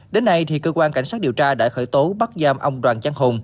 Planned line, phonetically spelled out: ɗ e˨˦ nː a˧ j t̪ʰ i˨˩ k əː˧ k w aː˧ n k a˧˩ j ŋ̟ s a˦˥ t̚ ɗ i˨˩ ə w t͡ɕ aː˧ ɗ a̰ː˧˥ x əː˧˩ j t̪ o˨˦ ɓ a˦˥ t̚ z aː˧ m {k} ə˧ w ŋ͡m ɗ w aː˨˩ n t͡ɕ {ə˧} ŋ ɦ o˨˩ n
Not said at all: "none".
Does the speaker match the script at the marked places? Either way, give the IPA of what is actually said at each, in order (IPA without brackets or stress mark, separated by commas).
ʔ, a˧